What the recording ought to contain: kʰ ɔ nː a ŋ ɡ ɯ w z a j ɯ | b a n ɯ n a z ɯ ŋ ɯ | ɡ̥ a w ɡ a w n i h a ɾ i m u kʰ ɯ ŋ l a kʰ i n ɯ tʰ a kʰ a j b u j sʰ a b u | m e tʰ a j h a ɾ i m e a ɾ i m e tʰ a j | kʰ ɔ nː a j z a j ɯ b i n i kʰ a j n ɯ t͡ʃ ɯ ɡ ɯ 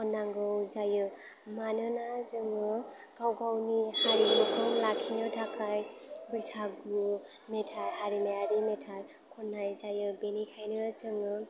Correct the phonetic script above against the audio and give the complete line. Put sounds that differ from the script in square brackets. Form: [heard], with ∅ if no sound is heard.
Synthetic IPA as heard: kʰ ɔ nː a ŋ ɡ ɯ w z a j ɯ | [m] a n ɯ n a z ɯ ŋ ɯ | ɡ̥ a w ɡ a w n i h a ɾ i m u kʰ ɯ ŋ l a kʰ i n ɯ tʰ a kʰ a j b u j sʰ a [ɡ] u | m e tʰ a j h a ɾ i m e a ɾ i m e tʰ a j | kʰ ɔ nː a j z a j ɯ b [e] n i kʰ a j n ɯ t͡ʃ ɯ [ŋ] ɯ